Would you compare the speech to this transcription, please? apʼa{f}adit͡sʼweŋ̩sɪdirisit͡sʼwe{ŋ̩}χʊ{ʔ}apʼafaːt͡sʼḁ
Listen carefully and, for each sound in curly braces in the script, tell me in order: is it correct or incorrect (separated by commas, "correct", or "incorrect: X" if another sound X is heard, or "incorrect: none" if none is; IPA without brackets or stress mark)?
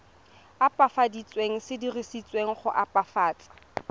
correct, correct, correct